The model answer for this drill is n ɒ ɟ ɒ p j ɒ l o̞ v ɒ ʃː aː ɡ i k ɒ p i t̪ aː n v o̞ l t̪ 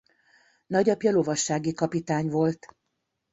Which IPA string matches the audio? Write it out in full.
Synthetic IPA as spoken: n ɒ ɟ ɒ p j ɒ l o̞ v ɒ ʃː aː ɡ i k ɒ p i t̪ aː ɲ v o̞ l t̪